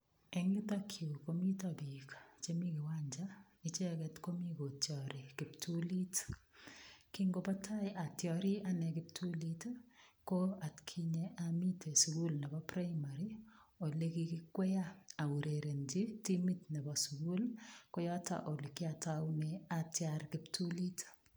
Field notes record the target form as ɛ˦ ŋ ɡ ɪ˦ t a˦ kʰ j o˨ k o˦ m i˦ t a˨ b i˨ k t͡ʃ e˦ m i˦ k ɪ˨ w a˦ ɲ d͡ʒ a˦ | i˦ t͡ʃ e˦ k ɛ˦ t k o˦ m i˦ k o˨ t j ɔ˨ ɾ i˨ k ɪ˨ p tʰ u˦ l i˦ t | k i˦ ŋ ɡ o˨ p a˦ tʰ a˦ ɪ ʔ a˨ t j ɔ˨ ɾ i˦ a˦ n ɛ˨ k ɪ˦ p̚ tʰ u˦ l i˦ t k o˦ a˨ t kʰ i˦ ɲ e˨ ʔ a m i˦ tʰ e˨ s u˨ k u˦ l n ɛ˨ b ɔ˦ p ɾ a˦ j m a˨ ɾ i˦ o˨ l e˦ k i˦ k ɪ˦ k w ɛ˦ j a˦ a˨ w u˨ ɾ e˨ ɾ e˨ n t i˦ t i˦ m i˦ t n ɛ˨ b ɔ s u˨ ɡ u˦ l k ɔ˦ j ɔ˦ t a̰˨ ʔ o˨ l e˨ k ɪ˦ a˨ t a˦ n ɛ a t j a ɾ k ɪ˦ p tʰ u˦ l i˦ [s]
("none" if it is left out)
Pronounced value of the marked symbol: t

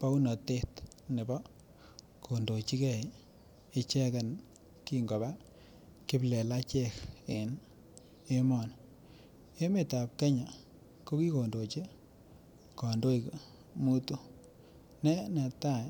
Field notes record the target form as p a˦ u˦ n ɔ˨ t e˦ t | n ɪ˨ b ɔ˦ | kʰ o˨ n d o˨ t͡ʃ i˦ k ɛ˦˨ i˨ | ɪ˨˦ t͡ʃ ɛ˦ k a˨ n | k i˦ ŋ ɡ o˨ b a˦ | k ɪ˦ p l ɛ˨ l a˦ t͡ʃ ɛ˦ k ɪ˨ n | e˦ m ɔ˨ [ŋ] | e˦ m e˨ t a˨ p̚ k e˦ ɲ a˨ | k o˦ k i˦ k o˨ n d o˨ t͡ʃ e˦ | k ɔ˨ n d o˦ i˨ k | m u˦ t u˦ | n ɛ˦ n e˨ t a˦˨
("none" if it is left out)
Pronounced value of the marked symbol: n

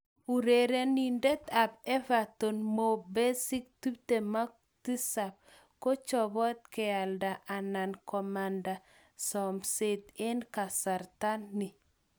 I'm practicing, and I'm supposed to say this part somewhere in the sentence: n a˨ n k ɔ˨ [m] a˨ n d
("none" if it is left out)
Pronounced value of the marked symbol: m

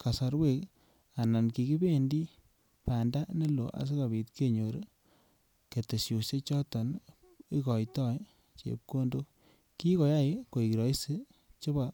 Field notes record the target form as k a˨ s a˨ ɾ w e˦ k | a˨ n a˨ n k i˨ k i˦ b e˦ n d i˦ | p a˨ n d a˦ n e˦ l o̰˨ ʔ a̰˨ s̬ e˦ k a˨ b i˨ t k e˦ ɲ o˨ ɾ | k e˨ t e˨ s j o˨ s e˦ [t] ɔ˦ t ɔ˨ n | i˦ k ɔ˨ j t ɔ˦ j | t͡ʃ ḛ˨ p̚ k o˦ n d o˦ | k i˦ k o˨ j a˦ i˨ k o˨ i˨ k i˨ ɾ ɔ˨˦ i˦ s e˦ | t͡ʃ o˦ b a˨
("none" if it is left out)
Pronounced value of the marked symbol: t͡ʃ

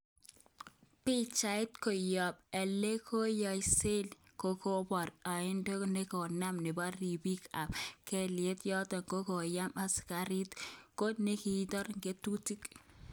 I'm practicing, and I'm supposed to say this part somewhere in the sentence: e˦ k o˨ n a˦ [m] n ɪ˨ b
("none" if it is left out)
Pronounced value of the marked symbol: m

